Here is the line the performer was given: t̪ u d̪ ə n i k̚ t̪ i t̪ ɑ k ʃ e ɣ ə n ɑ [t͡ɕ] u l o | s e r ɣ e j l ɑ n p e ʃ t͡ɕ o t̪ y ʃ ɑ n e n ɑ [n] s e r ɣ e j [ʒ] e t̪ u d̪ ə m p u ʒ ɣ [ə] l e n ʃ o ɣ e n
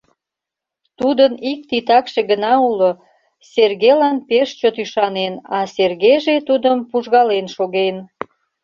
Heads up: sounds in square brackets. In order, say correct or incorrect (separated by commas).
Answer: incorrect, incorrect, correct, incorrect